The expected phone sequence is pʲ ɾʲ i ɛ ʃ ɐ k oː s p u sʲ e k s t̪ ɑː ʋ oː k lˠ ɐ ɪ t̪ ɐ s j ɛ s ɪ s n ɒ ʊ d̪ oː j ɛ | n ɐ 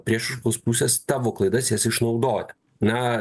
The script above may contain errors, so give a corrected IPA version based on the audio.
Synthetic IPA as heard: pʲ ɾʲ i ɛ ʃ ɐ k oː s p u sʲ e s t̪ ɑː ʋ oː k lˠ ɐ ɪ d̪ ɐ s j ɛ s ɪ ʃ n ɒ ʊ d̪ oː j ɛ | n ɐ